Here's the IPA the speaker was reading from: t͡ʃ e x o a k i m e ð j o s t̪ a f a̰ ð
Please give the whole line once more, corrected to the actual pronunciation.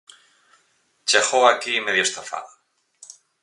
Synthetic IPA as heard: t͡ʃ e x o a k i m e ð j o s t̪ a f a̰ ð